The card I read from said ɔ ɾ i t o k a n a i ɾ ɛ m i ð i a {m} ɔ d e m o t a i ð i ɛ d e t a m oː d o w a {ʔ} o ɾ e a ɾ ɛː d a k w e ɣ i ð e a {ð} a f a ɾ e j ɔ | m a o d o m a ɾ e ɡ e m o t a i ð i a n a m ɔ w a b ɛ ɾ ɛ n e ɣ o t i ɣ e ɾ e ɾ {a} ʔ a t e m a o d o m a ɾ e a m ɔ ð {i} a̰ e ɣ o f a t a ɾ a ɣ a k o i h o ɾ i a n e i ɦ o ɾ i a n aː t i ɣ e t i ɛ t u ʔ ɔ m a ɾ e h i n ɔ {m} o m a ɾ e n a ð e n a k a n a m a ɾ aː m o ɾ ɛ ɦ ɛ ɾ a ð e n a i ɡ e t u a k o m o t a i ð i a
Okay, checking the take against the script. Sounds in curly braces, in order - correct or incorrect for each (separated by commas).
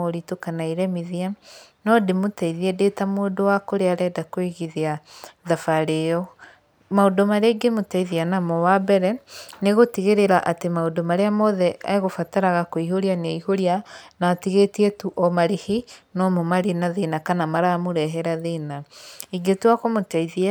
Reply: incorrect, incorrect, correct, correct, incorrect, correct